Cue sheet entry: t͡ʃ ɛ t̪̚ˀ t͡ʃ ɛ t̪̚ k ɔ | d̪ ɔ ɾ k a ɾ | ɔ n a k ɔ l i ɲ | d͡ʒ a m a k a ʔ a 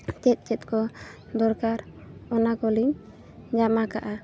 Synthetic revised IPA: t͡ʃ ɛ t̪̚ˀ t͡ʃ ɛ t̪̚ k ɔ | d̪ ɔ ɾ k a ɾ | ɔ n a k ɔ l i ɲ | d͡ʒ a m a k a ʔ a